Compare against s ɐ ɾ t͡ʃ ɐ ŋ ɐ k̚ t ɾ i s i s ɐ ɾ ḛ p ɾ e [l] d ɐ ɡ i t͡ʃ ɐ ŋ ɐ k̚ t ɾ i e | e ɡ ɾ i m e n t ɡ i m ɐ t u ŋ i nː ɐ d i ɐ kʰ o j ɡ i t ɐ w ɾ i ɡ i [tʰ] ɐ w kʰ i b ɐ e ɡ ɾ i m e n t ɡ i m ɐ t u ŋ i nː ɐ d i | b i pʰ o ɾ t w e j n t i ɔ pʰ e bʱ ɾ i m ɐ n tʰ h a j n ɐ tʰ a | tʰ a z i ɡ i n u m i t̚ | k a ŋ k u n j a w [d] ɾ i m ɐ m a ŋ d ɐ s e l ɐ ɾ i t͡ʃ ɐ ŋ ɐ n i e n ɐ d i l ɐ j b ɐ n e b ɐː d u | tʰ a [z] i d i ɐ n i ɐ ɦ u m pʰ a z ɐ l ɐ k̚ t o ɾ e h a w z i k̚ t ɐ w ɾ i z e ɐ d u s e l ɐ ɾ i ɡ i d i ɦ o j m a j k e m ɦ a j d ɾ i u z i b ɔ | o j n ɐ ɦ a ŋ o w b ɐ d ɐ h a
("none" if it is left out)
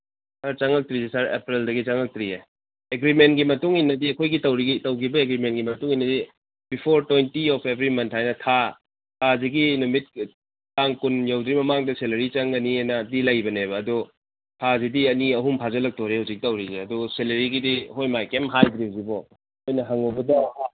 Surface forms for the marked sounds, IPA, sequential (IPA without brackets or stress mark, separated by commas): l, t, d, z